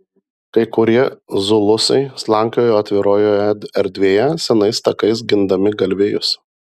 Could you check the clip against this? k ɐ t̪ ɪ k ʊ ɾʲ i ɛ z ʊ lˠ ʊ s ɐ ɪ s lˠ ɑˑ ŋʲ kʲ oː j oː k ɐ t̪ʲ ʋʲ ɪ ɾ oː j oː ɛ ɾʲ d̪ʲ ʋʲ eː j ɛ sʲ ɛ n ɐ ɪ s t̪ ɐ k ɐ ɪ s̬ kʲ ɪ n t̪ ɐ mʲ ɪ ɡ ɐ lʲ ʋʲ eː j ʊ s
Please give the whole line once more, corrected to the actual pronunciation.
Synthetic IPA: k ɐ ɪ k ʊ ɾʲ i ɛ z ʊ lˠ ʊ s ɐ ɪ s lˠ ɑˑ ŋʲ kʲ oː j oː ɐ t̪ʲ ʋʲ ɪ ɾ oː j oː ɛ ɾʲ d̪ʲ ʋʲ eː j ɛ sʲ ɛ n ɐ ɪ s t̪ ɐ k ɐ ɪ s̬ ɡʲ ɪ n d̪ ɐ mʲ ɪ ɡ ɐ lʲ ʋʲ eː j ʊ s